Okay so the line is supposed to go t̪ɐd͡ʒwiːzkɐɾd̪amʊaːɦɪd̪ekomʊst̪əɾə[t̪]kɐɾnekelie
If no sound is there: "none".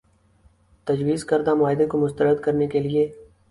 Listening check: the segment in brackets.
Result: d̪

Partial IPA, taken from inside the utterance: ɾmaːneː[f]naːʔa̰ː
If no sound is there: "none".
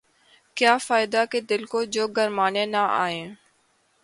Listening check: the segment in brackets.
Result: none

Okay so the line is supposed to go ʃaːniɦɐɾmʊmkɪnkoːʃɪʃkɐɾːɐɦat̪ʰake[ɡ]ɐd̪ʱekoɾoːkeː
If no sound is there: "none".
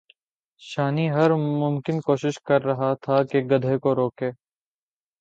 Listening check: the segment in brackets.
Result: ɡ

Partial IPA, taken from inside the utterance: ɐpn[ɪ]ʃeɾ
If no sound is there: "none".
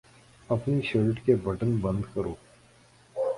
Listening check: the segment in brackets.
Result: i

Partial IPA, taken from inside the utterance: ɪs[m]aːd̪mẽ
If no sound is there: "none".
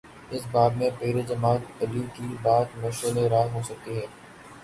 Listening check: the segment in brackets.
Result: b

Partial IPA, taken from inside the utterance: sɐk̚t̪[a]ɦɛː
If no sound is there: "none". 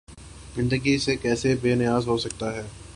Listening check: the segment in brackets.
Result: a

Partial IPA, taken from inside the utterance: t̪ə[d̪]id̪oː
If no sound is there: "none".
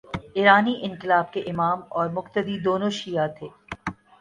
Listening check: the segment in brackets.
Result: d̪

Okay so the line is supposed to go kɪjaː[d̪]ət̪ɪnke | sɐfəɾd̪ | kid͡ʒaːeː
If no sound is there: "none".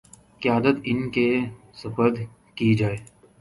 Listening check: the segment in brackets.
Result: d̪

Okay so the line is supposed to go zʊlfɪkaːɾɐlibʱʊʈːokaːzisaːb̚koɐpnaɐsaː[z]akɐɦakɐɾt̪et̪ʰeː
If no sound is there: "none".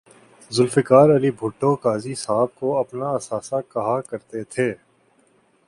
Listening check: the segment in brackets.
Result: s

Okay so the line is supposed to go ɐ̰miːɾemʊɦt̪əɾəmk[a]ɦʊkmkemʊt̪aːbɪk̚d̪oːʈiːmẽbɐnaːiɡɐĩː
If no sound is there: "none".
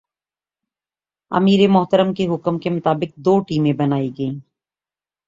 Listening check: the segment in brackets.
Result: e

